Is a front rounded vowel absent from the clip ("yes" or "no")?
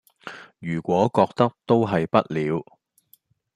no